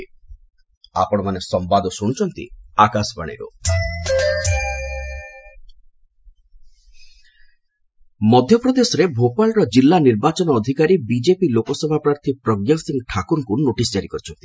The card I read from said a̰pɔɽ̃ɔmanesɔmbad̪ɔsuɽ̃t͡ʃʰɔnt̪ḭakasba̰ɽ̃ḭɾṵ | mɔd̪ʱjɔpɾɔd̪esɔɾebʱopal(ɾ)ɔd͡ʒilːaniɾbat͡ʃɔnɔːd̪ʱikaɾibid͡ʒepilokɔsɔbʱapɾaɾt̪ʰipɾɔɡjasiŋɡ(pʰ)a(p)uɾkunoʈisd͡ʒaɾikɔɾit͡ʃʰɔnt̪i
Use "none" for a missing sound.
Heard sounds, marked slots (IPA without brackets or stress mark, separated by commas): ɾ, ʈʰ, k